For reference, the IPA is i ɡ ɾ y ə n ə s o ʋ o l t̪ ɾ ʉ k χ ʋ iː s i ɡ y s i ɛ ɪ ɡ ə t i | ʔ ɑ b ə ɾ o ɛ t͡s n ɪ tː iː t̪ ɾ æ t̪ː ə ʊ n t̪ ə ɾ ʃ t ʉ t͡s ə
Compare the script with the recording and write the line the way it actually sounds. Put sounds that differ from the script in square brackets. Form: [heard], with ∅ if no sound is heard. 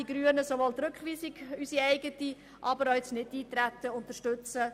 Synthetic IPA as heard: i ɡ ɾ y ə n ə s o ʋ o l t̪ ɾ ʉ k χ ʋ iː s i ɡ y s i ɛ ɪ ɡ ə t i | ʔ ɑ b ə ɾ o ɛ t͡s n ɪ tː iː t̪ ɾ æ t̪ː ə ʊ n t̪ ə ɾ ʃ t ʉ t͡s ə